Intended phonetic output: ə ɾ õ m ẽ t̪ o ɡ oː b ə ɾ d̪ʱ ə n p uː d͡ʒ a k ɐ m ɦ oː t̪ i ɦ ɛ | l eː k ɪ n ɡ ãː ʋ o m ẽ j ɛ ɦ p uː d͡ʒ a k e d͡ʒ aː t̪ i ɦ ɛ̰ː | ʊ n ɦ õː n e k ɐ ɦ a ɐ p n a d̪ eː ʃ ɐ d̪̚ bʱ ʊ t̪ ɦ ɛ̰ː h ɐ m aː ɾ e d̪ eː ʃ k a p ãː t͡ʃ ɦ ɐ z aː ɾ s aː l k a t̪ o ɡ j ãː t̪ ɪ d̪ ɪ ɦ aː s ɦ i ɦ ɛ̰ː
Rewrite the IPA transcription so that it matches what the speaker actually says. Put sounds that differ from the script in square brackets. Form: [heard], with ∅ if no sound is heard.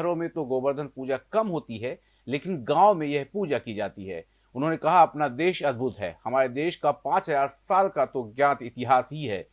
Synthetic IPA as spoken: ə ɾ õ m ẽ t̪ o ɡ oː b ə ɾ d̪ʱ ə n p uː d͡ʒ a k ɐ m ɦ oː t̪ i ɦ ɛ | l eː k ɪ n ɡ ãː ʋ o m ẽ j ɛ ɦ p uː d͡ʒ a k [i] d͡ʒ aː t̪ i ɦ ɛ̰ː | ʊ n ɦ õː n e k ɐ ɦ a ɐ p n a d̪ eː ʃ ɐ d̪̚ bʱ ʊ t̪ ɦ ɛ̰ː h ɐ m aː ɾ e d̪ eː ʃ k a p ãː t͡ʃ ɦ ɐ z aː ɾ s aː l k a t̪ o ɡ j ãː t̪ ɪ [t̪] ɪ ɦ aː s ɦ i ɦ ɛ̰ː